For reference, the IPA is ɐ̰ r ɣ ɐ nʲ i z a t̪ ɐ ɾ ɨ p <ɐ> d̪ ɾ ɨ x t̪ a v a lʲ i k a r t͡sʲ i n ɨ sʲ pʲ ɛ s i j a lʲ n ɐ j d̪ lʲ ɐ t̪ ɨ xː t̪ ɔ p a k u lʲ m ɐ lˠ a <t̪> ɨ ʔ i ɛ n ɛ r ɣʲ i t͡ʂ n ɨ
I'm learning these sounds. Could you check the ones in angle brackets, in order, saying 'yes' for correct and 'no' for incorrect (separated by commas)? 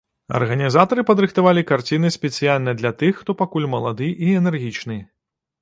yes, no